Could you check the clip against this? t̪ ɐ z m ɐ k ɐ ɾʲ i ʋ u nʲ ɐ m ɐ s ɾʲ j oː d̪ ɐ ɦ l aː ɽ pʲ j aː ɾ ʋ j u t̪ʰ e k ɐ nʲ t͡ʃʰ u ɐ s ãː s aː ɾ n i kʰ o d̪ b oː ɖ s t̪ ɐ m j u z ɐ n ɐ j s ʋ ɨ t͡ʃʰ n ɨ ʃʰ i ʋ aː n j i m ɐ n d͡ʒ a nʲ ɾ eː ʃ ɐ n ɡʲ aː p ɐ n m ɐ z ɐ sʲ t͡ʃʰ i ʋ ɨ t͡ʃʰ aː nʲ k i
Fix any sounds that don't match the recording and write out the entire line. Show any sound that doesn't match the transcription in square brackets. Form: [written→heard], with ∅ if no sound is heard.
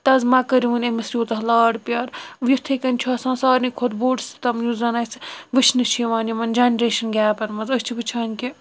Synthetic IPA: t̪ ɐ z m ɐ k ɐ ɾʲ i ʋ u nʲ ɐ m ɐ s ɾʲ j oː [d̪→t̪] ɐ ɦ l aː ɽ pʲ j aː ɾ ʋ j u t̪ʰ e k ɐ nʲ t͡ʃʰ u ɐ s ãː s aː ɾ n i kʰ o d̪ b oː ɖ s t̪ ɐ m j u z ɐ n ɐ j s ʋ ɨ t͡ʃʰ n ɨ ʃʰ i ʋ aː n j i m ɐ n d͡ʒ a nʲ ɾ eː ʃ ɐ n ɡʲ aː p ɐ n m ɐ z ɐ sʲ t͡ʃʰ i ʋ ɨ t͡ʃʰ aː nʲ k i